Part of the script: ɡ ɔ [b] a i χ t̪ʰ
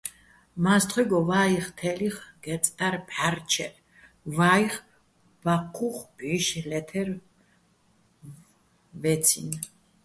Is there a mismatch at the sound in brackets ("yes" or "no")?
yes